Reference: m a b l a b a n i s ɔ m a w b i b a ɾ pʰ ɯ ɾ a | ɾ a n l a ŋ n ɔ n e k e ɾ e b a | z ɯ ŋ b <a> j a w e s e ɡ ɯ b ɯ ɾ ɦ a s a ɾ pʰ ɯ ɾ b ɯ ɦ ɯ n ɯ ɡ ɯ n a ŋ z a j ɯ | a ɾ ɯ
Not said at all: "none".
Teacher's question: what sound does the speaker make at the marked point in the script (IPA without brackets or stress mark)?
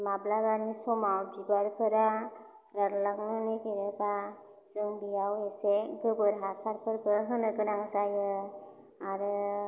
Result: i